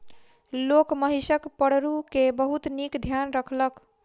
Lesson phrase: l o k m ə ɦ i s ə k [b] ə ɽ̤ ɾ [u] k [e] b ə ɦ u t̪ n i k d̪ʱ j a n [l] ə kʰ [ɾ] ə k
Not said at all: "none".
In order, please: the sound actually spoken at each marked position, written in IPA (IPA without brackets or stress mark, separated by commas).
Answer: p, u, e, ɾ, l